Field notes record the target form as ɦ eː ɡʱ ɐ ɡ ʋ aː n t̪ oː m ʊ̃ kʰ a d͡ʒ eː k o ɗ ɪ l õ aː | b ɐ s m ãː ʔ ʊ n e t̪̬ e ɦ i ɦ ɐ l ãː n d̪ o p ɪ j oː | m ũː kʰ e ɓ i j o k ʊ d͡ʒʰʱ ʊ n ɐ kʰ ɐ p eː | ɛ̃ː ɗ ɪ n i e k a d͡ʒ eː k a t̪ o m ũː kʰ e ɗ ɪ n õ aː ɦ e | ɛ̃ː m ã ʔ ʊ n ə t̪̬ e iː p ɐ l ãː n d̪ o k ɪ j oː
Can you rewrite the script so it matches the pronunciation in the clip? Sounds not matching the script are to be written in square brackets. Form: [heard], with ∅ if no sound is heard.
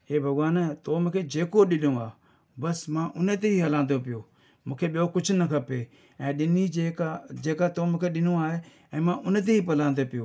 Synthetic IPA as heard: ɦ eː [bʱ] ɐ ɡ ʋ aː n t̪ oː m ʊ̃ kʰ [e] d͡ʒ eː k o ɗ ɪ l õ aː | b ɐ s m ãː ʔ ʊ n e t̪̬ e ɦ i ɦ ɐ l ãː n d̪ o p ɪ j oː | m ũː kʰ e ɓ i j o k ʊ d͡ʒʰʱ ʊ n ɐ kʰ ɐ p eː | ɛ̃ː ɗ ɪ n i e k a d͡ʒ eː k a t̪ o m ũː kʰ e ɗ ɪ n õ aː ɦ e | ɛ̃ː m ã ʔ ʊ n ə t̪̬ e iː p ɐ l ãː n d̪ o [p] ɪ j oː